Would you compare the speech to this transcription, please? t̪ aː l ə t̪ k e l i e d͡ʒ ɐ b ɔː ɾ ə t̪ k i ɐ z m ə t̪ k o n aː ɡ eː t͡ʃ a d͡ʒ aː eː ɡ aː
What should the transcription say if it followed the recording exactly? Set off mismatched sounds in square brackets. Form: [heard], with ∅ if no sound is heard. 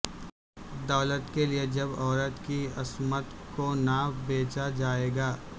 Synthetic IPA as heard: [d̪] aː l ə t̪ k e l i e d͡ʒ ɐ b ɔː ɾ ə t̪ k i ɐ [s] m ə t̪ k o n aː [b] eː t͡ʃ a d͡ʒ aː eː ɡ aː